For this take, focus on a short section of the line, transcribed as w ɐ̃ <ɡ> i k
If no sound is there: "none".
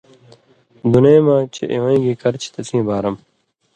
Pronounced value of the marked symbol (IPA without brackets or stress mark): ɡ